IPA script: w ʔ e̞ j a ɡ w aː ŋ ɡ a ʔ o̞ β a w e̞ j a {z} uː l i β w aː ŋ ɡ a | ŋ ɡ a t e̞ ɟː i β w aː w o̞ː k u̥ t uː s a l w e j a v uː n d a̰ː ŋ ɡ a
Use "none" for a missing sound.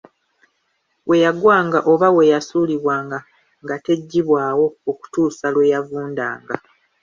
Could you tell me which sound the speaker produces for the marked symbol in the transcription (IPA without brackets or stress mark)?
s